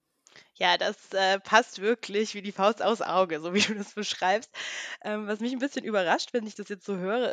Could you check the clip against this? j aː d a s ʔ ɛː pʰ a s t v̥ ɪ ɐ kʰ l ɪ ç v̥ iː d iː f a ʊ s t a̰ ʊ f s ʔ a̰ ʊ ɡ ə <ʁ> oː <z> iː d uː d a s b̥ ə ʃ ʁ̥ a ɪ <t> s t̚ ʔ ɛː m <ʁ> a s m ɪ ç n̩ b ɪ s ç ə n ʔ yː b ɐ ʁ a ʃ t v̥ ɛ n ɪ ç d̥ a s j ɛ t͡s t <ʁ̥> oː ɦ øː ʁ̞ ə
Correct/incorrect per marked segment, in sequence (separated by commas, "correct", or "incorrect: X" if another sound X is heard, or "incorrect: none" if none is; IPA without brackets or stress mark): incorrect: z, incorrect: v, incorrect: p, incorrect: v, incorrect: z̥